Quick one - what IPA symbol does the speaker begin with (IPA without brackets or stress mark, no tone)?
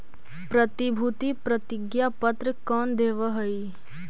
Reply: p